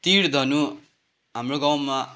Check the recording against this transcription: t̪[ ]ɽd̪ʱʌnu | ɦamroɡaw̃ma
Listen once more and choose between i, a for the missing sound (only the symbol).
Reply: i